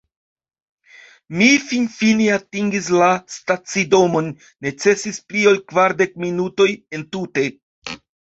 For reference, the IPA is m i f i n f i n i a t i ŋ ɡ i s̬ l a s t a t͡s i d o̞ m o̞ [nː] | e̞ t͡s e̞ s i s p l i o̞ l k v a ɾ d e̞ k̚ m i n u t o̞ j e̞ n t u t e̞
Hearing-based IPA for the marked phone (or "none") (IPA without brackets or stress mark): nː